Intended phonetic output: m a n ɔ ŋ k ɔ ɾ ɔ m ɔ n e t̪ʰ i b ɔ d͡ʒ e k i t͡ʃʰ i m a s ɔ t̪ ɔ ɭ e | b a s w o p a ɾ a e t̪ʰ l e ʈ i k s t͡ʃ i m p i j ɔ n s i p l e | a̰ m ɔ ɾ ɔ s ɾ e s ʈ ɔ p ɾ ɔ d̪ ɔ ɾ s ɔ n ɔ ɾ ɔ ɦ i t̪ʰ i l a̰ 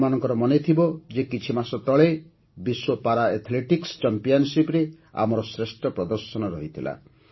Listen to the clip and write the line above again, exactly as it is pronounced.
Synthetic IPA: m a n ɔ ŋ k ɔ ɾ ɔ m ɔ n e t̪ʰ i b ɔ d͡ʒ e k i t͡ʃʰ i m a s ɔ t̪ ɔ ɭ e | b i s w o p a ɾ a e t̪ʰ l e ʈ i k s t͡ʃ a m p i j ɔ n s i p ɾ e | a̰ m ɔ ɾ ɔ s ɾ e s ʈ ɔ p ɾ ɔ d̪ ɔ ɾ s ɔ n ɔ ɾ ɔ ɦ i t̪ʰ i l a̰